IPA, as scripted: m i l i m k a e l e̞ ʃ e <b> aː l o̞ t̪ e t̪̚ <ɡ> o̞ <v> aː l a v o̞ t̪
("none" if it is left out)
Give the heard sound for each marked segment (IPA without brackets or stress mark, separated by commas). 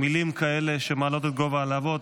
m, ɡ, v